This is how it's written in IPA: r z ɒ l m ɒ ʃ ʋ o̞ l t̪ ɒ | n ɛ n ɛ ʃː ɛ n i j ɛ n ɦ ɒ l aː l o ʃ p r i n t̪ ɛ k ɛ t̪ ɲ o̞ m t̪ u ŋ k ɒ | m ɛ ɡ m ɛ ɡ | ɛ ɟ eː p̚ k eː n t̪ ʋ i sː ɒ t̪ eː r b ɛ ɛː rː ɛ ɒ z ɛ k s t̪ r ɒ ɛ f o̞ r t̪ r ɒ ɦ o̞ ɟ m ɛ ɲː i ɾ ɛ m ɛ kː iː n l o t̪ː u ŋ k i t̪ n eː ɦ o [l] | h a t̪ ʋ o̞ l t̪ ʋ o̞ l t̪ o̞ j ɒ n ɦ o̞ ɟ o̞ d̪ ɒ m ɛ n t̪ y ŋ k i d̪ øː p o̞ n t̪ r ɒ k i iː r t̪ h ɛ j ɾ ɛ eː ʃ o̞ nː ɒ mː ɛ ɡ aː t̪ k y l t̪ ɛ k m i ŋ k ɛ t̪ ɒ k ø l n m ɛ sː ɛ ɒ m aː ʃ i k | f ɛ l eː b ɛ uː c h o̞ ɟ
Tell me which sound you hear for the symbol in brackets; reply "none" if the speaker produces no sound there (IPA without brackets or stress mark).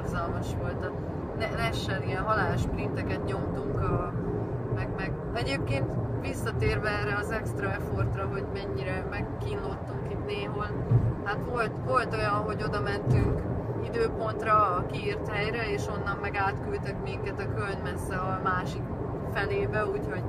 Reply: l